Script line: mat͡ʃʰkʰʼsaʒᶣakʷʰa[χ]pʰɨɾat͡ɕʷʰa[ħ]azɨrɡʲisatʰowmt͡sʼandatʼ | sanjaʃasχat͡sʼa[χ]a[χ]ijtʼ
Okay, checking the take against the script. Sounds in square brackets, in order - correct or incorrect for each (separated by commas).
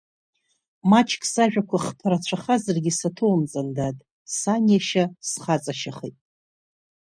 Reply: correct, incorrect, incorrect, correct